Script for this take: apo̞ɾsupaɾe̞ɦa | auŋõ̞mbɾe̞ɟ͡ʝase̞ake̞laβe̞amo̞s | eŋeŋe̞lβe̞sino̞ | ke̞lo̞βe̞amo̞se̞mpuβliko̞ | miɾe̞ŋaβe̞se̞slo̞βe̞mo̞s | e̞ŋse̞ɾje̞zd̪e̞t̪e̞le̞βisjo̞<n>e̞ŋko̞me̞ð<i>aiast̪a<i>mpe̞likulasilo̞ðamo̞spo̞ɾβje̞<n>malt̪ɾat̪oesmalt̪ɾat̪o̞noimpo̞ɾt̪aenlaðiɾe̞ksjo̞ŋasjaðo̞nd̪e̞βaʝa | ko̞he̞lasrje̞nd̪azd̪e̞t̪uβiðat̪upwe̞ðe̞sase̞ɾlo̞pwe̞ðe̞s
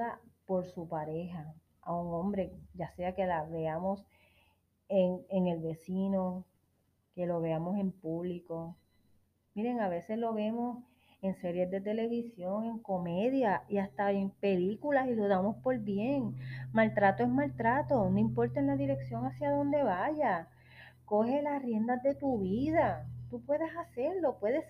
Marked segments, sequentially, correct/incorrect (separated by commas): incorrect, incorrect, incorrect, incorrect